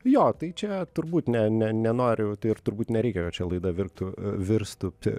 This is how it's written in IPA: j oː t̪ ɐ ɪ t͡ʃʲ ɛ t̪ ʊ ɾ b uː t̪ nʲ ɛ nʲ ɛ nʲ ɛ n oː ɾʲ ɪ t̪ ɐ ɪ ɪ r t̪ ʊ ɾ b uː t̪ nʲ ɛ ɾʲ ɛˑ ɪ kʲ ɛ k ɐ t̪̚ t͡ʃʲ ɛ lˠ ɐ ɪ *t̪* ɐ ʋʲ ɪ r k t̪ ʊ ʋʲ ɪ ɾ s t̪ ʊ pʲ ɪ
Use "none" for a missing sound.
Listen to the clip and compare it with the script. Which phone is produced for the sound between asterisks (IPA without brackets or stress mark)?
d̪